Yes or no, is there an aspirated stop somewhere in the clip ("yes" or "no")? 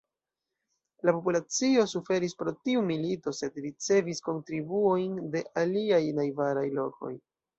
no